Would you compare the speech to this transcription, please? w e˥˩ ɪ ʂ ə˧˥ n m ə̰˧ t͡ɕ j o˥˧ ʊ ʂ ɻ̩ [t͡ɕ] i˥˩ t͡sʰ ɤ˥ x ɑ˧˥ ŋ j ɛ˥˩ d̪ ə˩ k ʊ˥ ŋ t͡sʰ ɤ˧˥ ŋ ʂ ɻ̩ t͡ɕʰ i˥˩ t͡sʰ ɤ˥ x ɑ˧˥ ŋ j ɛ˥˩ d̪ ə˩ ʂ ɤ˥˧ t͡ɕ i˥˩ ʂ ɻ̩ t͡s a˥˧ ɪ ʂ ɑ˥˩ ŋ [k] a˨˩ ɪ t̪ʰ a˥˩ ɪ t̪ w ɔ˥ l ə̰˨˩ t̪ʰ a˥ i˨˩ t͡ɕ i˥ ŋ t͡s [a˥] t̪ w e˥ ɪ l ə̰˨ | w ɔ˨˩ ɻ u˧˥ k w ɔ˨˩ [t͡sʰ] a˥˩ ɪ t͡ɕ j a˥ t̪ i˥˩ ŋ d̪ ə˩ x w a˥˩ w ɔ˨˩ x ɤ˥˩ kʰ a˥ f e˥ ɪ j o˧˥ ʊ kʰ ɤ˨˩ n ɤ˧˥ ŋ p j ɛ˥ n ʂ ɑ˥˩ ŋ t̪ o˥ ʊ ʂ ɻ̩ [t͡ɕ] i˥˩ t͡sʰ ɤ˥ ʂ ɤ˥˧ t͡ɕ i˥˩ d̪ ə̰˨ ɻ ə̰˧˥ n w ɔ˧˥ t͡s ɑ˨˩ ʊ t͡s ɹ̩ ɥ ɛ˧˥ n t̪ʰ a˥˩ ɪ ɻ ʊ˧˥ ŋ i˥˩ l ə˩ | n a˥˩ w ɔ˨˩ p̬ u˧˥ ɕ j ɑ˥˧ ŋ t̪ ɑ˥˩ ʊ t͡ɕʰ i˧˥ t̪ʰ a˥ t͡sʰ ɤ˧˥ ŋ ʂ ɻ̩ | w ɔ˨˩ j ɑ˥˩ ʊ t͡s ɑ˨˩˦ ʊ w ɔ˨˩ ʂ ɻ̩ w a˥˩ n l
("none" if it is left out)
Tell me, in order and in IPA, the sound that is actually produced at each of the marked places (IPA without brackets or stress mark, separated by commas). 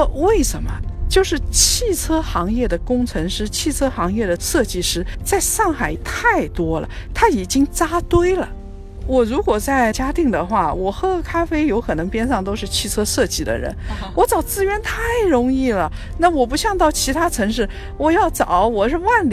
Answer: t͡ɕʰ, x, a˥, t͡s, t͡ɕʰ